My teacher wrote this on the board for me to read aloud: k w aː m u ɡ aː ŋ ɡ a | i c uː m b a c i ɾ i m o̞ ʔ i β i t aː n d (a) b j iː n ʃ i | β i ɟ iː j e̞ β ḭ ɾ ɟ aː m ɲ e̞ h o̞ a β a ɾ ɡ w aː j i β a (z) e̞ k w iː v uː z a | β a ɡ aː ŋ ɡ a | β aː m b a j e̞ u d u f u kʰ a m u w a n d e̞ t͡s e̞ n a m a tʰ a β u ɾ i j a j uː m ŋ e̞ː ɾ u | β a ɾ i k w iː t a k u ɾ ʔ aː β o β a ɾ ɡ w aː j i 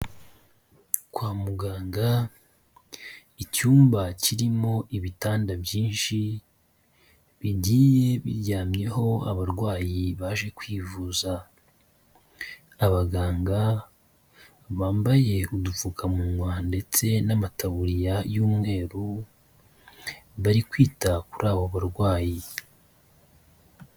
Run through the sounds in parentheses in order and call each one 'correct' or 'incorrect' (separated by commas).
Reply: correct, incorrect